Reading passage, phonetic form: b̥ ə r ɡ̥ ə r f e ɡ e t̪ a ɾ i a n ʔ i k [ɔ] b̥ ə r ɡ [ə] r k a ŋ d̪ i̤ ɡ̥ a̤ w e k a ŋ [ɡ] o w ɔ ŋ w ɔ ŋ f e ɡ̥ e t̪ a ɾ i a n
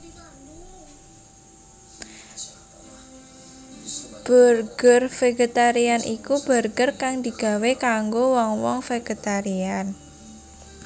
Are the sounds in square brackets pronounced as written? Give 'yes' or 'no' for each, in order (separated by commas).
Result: no, yes, yes